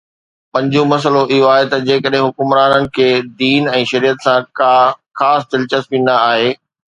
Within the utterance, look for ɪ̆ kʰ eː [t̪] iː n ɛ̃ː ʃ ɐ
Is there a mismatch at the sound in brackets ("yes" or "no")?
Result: yes